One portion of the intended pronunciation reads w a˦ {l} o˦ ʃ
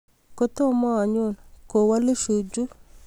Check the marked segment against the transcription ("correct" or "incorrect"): correct